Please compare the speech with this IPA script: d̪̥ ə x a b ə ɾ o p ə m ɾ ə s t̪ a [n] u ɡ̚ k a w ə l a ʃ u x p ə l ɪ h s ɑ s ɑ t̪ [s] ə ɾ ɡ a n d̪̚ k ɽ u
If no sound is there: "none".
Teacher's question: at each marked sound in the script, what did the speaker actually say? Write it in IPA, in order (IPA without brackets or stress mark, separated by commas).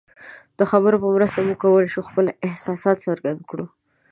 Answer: m, s